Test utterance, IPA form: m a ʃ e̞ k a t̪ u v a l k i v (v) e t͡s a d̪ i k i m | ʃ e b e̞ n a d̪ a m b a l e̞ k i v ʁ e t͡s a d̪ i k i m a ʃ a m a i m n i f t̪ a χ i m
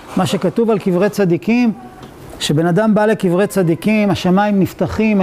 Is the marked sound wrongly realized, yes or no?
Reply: yes